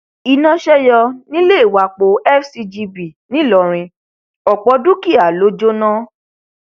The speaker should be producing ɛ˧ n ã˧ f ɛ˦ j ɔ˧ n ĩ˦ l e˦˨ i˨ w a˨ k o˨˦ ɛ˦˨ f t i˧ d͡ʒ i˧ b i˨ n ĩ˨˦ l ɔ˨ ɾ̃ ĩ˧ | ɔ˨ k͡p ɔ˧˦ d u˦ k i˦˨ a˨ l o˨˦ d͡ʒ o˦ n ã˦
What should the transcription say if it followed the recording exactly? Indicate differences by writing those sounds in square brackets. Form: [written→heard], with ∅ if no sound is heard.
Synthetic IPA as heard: [ɛ˧→i˧] n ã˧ [f→ʃ] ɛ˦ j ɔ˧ n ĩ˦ l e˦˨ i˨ w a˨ [k→k͡p] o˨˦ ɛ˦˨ f [t→s] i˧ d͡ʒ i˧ b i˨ n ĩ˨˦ l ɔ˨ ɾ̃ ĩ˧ | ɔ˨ k͡p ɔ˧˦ d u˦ k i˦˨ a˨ l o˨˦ d͡ʒ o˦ n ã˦